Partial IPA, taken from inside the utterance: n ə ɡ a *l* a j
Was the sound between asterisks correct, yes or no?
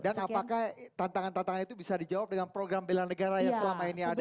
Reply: no